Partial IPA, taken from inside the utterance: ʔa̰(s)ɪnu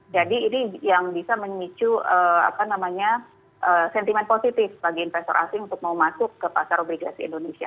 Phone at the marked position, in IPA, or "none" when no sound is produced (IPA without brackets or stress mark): s